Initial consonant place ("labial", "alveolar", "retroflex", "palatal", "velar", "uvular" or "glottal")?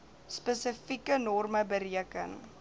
alveolar